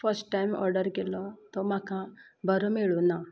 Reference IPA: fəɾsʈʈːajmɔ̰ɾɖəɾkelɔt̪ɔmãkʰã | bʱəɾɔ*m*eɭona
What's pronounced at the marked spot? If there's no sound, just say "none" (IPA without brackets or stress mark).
m